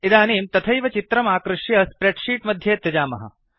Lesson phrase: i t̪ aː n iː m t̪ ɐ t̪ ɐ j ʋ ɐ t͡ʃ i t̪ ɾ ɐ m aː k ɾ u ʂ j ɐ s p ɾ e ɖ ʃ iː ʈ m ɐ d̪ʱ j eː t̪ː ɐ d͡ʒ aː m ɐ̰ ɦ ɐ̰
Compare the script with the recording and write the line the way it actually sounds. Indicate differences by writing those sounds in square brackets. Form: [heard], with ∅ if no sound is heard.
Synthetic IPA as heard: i [d̪] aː n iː m t̪ ɐ [t̪ʰ] ɐ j ʋ ɐ t͡ʃ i t̪ ɾ ɐ m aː k ɾ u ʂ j ɐ s p ɾ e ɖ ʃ iː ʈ m ɐ d̪ʱ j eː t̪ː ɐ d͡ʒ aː m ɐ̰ ɦ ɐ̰